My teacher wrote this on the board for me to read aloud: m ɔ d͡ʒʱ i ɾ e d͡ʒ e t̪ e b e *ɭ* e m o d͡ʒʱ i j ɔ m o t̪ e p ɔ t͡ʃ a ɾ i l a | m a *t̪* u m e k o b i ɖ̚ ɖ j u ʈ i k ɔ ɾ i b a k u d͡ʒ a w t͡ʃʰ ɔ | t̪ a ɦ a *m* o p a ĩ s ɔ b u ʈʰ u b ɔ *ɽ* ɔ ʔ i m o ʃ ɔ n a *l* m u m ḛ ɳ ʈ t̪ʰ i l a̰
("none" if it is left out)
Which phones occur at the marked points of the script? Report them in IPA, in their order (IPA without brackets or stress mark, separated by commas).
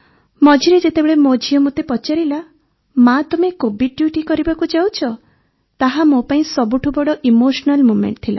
ɭ, t̪, m, ɽ, l